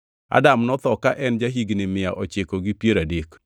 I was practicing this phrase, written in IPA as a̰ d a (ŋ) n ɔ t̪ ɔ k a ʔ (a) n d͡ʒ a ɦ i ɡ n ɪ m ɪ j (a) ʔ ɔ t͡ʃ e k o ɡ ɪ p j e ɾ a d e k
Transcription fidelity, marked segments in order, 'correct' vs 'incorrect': incorrect: m, incorrect: ɛ, correct

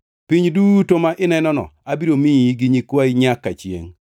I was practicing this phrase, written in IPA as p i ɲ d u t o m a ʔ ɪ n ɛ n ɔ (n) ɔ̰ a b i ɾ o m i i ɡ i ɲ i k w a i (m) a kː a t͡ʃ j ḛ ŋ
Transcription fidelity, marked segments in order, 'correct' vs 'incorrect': correct, incorrect: ɲ

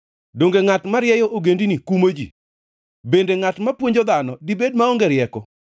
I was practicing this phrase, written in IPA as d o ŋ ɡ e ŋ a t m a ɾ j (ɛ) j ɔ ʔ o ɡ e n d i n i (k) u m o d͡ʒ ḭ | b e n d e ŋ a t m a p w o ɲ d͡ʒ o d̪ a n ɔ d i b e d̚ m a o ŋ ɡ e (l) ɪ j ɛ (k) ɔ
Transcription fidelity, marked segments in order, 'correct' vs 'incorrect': correct, correct, incorrect: ɾ, correct

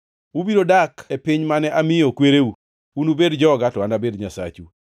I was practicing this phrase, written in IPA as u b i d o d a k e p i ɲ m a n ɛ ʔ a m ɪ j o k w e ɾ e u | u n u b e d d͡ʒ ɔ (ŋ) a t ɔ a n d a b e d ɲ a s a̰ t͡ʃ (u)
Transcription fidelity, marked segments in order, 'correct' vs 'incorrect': incorrect: ɡ, correct

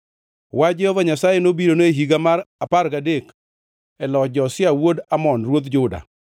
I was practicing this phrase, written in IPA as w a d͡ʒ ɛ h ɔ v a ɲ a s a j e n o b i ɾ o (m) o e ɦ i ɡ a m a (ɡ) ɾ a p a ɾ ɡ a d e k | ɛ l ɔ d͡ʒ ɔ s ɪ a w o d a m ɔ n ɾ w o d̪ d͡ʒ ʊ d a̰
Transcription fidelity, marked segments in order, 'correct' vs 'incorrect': incorrect: n, incorrect: none

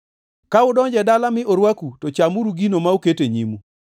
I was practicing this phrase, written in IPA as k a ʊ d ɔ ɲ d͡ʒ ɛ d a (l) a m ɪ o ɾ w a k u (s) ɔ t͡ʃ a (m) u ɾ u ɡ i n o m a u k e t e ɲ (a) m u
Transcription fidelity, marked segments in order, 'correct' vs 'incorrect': correct, incorrect: t, correct, incorrect: i

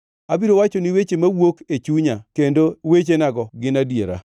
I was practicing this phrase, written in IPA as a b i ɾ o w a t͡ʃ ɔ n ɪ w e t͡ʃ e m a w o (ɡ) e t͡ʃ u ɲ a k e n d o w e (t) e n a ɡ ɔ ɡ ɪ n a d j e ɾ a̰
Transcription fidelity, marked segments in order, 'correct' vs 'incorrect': incorrect: k, incorrect: t͡ʃ

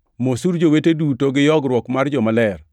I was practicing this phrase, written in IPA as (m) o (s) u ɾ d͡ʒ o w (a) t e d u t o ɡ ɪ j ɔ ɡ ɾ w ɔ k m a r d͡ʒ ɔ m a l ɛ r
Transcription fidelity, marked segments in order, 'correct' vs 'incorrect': correct, correct, incorrect: e

